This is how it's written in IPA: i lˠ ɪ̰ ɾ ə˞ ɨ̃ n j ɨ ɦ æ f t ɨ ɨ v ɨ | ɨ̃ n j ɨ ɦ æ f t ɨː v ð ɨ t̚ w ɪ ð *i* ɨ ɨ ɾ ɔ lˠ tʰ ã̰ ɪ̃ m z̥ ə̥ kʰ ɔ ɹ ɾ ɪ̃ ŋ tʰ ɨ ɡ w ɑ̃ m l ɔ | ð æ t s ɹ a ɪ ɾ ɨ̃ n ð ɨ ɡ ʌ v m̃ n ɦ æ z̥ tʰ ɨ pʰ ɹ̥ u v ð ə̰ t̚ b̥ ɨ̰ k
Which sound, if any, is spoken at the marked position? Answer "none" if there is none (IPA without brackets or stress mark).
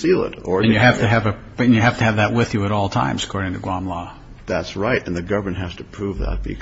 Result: j